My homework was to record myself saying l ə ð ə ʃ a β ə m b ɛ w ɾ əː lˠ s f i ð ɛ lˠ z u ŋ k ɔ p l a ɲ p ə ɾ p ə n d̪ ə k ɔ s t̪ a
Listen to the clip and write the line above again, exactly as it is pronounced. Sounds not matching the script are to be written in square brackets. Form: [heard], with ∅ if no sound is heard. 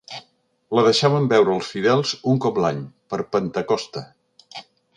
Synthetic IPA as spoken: l ə ð ə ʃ a β ə m b ɛ w ɾ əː lˠ s f i ð ɛ lˠ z u ŋ k ɔ p l a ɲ p ə ɾ p ə n [t̪] ə k ɔ s t̪ [ə]